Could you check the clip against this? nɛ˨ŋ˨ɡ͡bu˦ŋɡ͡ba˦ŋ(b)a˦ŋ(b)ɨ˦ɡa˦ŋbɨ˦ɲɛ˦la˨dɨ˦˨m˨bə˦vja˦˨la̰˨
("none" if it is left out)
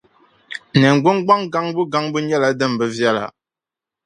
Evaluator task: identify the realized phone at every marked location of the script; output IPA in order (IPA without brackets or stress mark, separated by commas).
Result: ɡ, b